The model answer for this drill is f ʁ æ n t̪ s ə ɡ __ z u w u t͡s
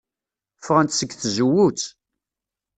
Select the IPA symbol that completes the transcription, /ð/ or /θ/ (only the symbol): θ